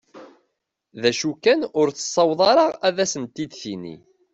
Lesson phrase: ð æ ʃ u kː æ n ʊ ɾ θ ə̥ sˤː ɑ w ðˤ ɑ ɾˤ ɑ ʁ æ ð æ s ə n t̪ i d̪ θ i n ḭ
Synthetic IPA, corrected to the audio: ð æ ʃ u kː æ n ʊ ɾ θ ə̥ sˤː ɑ w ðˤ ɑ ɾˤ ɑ ʁ æ ð æ s ə n t̪ i d̪ θ i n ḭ